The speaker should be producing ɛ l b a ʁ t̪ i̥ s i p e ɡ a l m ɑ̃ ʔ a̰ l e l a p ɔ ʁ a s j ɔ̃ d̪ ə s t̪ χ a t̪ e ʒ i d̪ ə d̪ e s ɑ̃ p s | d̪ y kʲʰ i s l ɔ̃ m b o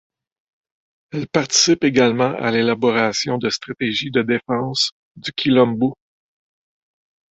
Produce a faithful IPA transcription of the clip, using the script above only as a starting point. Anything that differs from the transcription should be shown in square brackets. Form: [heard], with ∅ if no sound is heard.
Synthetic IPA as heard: ɛ l [p] a ʁ t̪ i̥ s [ɪ] p e ɡ a l m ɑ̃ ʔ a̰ l e l a [b] ɔ ʁ a s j ɔ̃ d̪ ə s t̪ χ a t̪ e ʒ i d̪ ə d̪ e [f] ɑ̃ [∅] s | d̪ y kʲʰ i [∅] l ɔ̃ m b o